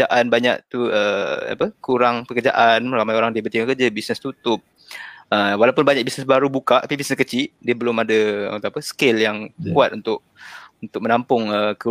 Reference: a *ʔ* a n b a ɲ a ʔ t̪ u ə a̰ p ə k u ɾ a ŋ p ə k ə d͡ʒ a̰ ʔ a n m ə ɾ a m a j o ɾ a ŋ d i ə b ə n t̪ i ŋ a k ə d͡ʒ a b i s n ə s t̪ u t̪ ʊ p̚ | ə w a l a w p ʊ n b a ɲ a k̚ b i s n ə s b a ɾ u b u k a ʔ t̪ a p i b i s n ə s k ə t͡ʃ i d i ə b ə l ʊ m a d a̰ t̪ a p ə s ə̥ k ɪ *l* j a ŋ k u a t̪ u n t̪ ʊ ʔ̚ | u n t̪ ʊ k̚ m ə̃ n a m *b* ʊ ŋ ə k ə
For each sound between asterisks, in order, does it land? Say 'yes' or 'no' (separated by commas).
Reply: yes, yes, no